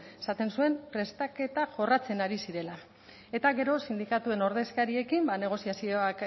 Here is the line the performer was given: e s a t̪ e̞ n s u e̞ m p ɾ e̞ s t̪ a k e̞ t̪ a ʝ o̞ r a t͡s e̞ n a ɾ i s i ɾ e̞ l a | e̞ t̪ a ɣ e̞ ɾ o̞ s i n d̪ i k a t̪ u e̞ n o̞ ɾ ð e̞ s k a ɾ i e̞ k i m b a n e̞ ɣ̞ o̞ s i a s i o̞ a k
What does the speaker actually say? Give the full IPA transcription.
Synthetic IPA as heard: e s a t̪ e̞ n s u e̞ m p ɾ e̞ s t̪ a k e̞ t̪ a ʝ o̞ r a t͡s e̞ n a ɾ i s i ɾ e̞ l a | e̞ t̪ a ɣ e̞ ɾ o̞ s i n d̪ i k a t̪ u e̞ n o̞ ɾ ð e̞ s k a ɾ i e̞ k i m b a n e̞ ɣ̞ o̞ s i a s i o̞ a k